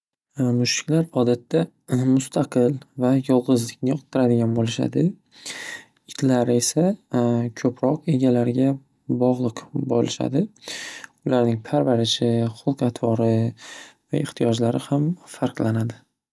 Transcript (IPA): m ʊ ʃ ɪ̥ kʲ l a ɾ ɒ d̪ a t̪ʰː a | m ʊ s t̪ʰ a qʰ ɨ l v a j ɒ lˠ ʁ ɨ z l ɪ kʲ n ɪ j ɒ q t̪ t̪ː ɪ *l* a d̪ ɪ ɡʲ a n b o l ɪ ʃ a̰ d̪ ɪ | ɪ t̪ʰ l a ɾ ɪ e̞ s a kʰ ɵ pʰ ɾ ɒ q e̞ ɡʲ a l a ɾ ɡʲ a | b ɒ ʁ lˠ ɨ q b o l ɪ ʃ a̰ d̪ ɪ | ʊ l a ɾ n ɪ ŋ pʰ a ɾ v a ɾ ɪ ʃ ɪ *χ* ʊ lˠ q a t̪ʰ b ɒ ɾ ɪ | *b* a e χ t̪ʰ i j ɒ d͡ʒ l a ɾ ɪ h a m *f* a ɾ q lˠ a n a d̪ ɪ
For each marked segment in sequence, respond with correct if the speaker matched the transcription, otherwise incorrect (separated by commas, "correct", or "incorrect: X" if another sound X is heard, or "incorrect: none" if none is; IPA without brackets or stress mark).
incorrect: ɾ, correct, incorrect: v, correct